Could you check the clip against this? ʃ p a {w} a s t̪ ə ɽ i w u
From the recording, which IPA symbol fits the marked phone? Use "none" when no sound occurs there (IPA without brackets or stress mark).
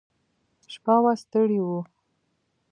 w